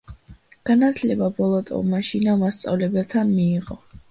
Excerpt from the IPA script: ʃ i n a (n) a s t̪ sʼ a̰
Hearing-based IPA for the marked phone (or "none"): m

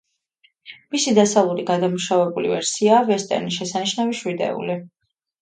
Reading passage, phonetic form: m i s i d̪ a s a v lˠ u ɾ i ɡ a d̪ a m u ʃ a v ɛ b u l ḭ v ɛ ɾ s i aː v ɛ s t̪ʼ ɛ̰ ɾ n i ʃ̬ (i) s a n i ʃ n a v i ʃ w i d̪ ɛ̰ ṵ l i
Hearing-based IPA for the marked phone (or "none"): ɛ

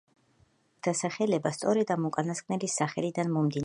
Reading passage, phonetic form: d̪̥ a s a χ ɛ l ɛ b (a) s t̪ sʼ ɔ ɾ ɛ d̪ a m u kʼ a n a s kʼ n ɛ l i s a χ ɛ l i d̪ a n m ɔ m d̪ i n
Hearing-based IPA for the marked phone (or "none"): a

